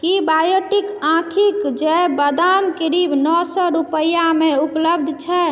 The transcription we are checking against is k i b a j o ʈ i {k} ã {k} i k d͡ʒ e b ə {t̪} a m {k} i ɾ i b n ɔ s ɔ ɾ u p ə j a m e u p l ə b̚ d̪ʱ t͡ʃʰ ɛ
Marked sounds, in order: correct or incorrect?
correct, incorrect, incorrect, correct

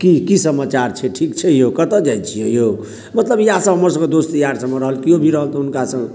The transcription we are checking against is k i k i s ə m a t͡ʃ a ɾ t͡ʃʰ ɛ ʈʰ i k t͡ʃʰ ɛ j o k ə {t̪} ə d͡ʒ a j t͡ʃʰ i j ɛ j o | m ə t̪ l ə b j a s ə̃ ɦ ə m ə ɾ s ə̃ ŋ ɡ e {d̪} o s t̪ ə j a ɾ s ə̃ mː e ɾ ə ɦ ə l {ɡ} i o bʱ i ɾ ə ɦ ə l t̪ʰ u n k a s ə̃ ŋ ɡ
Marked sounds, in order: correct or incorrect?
correct, correct, incorrect

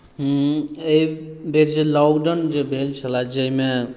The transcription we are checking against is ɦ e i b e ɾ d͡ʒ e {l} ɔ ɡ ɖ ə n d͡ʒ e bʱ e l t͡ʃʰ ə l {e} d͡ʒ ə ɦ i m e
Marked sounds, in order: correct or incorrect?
correct, incorrect

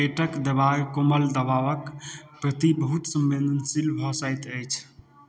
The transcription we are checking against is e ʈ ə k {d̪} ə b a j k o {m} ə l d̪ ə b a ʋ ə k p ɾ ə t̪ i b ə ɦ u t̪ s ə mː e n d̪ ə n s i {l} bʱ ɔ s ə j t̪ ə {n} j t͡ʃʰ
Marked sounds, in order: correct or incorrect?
correct, correct, correct, incorrect

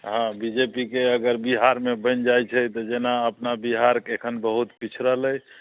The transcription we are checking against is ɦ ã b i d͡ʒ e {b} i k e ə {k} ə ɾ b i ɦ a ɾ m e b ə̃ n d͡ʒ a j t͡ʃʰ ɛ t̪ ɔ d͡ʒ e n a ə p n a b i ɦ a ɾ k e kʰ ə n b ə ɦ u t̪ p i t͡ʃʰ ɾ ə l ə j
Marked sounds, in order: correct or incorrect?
incorrect, incorrect

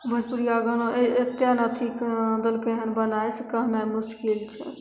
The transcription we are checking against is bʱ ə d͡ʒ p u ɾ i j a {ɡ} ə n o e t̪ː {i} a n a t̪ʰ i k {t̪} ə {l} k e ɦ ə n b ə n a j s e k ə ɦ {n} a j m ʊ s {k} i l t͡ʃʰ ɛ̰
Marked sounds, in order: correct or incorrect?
correct, incorrect, incorrect, correct, correct, correct

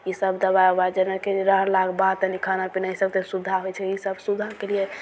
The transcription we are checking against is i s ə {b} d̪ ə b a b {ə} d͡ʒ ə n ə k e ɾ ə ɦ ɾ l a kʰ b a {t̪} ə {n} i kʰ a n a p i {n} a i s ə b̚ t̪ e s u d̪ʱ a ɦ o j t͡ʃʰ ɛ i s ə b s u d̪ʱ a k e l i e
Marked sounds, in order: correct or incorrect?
correct, incorrect, correct, correct, correct

